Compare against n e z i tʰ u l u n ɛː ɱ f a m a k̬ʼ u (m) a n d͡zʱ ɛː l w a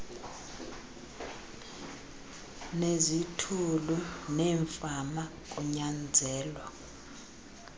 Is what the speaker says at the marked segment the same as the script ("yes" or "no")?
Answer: no